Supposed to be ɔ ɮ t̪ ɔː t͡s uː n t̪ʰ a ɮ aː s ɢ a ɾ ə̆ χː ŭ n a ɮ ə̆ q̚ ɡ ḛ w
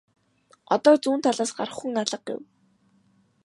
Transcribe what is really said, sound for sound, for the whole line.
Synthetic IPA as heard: ɔ t̪ ɔː t͡s uː n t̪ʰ a ɮ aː s ɢ a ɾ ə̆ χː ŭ ŋ a ɮ ə̆ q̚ ɡ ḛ w